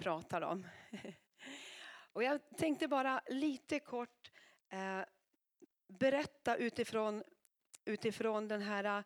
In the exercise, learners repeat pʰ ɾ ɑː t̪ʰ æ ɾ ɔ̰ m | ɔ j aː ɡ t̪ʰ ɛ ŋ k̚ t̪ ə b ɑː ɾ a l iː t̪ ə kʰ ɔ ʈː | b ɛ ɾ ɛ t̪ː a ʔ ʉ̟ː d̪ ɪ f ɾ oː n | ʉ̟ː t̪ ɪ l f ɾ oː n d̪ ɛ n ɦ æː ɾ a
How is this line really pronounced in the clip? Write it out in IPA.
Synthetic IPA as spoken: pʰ ɾ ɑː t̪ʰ a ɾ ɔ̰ m | ɔ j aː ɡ t̪ʰ ɛ ŋ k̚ t̪ ə b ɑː ɾ a l iː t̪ ə kʰ ɔ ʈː | b ɛ ɾ ɛ t̪ː a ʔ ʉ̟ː t̪ ɪ f ɾ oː n | ʉ̟ː t̪ ɪ f ɾ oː n d̪ ɛ n ɦ æː ɾ a